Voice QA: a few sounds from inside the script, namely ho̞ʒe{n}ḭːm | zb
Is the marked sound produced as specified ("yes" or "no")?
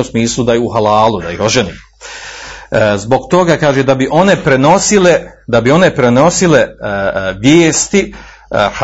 yes